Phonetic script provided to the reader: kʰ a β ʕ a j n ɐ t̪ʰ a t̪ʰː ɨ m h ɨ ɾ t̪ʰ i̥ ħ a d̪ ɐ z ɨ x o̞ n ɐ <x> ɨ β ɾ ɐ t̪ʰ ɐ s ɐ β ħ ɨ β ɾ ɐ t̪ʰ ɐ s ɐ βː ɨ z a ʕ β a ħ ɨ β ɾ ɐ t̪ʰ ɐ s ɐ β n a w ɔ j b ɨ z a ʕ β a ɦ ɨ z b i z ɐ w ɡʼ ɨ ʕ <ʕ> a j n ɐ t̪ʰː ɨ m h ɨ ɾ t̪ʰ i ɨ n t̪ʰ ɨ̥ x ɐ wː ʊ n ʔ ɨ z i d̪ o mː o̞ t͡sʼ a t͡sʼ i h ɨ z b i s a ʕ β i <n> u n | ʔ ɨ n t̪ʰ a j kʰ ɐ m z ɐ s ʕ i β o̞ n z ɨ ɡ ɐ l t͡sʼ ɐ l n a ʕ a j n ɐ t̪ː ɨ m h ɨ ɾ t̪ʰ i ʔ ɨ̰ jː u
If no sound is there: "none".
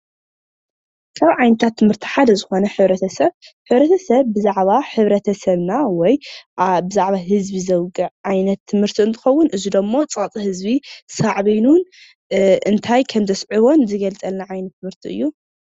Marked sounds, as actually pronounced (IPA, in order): ħ, ʕ, n

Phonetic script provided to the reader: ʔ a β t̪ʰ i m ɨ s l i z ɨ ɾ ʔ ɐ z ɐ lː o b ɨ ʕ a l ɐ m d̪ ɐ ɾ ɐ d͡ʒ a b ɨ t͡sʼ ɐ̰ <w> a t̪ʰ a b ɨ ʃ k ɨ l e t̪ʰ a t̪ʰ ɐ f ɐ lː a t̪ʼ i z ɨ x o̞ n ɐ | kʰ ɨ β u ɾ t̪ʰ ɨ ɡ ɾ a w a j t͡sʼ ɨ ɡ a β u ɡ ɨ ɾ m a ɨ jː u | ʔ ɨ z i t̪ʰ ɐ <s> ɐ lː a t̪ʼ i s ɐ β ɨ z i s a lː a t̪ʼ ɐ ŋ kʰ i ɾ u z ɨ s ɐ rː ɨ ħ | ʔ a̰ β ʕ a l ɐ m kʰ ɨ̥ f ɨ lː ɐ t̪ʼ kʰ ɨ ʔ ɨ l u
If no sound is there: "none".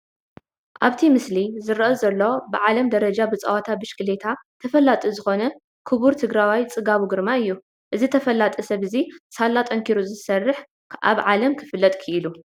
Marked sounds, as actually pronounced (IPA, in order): w, f

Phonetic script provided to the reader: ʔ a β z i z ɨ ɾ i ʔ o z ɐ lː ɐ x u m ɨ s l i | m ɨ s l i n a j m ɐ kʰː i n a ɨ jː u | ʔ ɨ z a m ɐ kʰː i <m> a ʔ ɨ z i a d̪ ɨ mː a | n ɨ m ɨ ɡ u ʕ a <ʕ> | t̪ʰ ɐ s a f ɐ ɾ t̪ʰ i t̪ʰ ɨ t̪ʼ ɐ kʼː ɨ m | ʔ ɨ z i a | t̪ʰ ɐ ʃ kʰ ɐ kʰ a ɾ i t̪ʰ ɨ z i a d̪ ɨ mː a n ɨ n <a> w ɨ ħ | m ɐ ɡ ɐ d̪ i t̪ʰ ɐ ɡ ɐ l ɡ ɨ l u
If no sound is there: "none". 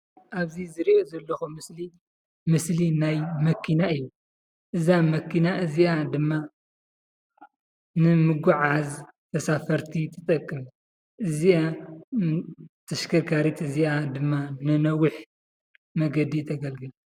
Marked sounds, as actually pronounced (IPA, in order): n, z, ɐ

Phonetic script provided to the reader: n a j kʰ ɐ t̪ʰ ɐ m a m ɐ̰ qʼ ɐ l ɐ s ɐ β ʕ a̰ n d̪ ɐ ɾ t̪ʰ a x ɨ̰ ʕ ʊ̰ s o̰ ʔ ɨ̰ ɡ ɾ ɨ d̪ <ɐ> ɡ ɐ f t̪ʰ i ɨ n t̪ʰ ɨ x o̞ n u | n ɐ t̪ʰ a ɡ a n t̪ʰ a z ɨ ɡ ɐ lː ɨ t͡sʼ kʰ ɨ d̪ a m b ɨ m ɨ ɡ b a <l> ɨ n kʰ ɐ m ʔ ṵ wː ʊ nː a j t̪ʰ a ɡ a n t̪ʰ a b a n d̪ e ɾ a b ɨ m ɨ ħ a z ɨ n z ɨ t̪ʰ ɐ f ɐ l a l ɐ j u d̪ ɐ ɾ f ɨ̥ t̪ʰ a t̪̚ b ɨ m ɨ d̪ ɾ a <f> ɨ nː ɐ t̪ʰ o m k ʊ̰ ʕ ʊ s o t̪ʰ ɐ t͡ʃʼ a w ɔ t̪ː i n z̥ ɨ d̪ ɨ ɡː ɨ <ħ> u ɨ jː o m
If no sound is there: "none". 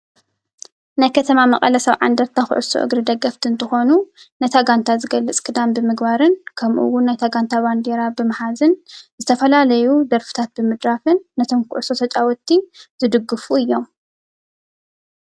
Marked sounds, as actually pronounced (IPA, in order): ɐ, ɾ, f, f

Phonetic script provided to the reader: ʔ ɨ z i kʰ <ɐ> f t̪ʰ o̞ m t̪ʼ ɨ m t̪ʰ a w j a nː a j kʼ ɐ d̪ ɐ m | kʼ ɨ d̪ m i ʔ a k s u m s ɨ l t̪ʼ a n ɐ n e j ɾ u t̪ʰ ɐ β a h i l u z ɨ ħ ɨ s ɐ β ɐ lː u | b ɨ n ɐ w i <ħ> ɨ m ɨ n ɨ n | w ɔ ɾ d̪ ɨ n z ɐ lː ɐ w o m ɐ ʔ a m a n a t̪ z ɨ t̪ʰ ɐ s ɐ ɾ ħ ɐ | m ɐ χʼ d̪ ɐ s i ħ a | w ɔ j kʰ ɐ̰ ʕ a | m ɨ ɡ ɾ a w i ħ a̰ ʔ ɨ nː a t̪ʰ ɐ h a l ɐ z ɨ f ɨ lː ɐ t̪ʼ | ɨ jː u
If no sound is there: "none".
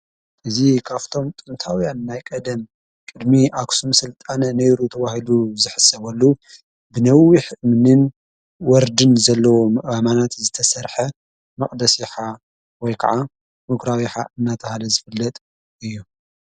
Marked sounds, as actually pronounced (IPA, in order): a, ħ

